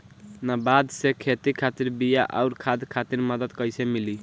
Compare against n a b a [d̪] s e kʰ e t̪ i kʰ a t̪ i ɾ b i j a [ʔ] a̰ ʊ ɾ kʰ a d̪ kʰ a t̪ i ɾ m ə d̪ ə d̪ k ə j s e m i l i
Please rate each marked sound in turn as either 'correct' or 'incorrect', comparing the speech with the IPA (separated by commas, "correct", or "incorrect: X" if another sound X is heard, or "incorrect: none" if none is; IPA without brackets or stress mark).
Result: correct, correct